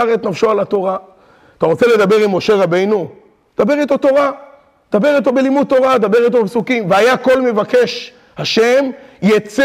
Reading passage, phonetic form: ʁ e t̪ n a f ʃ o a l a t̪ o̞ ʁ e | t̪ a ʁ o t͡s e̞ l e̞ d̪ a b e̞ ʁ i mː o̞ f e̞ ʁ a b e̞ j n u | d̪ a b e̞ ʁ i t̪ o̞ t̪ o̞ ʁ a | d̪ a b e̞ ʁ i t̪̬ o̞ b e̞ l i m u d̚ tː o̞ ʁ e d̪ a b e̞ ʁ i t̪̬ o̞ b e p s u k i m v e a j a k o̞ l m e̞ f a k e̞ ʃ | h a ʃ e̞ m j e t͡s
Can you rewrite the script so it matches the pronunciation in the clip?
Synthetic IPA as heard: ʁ e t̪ n a f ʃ o a l a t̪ o̞ ʁ a | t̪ a ʁ o t͡s e̞ l e̞ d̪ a b e̞ ʁ i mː o̞ ʃ e̞ ʁ a b e̞ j n u | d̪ a b e̞ ʁ i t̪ o̞ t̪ o̞ ʁ a | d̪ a b e̞ ʁ i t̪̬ o̞ b e̞ l i m u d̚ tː o̞ ʁ a d̪ a b e̞ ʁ i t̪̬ o̞ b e p s u k i m v e a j a k o̞ l m e̞ v a k e̞ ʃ | h a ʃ e̞ m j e t͡s